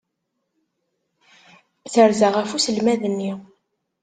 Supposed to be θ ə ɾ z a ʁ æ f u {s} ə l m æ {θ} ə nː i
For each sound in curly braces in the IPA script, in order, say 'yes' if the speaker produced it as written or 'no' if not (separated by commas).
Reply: yes, no